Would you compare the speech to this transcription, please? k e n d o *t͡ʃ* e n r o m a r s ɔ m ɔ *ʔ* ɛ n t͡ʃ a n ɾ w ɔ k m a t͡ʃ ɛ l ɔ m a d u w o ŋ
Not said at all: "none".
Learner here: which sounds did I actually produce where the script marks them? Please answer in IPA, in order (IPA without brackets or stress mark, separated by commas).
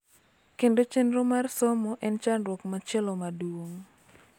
t͡ʃ, ʔ